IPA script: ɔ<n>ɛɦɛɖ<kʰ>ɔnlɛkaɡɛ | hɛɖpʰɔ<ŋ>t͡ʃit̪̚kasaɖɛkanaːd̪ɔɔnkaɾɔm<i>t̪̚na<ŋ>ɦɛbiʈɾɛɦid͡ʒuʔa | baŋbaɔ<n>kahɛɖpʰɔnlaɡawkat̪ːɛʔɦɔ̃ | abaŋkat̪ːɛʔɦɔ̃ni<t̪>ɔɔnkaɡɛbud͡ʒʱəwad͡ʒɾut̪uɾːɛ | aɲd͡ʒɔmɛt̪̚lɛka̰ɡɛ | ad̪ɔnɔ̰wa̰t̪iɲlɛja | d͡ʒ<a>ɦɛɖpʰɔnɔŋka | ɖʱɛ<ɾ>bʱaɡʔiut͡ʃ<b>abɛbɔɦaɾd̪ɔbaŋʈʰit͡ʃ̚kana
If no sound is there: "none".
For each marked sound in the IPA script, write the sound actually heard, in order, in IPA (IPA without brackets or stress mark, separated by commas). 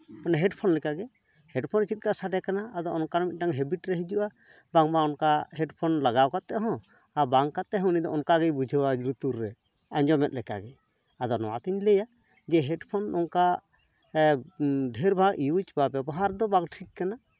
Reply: n, pʰ, n, i, ŋ, n, d̪, ɛ, ɾ, b